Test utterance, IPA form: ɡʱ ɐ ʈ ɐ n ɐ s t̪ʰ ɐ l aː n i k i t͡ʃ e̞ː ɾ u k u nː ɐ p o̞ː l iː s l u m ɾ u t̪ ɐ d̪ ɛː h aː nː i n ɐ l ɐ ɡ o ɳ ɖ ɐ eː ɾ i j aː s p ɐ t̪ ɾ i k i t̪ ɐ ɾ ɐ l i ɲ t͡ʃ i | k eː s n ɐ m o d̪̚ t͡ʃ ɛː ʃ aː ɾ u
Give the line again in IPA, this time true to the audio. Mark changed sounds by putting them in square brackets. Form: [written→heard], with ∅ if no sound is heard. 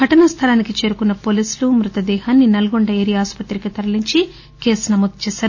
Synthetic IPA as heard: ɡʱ ɐ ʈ ɐ n ɐ s t̪ʰ ɐ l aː n i k i t͡ʃ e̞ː ɾ u k u nː ɐ p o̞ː l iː s l u m ɾ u t̪ ɐ d̪ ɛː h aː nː i n ɐ l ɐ ɡ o ɳ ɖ ɐ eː ɾ i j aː s p ɐ t̪ ɾ i k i t̪ ɐ ɾ ɐ l i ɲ t͡ʃ i | k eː s n ɐ m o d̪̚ t͡ʃ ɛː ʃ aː ɾ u